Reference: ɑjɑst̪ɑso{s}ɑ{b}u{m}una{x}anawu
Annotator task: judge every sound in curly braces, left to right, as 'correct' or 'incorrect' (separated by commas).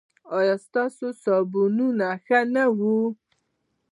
correct, correct, incorrect, correct